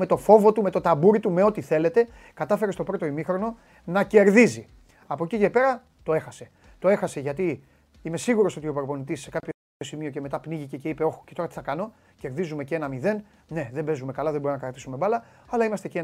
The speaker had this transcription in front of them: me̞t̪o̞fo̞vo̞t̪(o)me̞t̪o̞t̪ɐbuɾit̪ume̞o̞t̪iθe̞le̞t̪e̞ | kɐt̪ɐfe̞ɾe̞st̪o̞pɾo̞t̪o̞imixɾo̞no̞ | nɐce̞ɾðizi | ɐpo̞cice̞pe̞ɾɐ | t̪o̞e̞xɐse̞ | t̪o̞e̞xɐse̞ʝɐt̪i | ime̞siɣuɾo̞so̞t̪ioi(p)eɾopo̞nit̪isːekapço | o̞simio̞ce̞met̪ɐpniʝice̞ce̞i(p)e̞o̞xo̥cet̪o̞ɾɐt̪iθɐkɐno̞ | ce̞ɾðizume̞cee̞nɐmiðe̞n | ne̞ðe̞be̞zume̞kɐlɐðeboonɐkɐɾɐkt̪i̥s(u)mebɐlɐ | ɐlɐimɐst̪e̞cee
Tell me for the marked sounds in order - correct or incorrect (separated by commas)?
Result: incorrect, correct, correct, correct